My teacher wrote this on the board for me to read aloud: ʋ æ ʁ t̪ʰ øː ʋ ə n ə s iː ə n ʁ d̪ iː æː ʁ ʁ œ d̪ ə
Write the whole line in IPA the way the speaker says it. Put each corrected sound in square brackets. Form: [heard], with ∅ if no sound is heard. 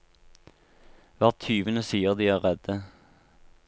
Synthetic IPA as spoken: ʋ æ ʁ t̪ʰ [yː] ʋ ə n ə s iː ə [∅] ʁ d̪ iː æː ʁ ʁ [ɛ] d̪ ə